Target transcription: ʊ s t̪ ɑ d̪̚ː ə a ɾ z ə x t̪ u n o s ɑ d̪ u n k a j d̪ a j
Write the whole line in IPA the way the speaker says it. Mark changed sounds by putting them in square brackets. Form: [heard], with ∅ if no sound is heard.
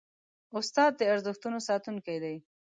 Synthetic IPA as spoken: ʊ s t̪ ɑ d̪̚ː ə a ɾ z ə x t̪ u n o s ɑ [t̪] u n k a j d̪ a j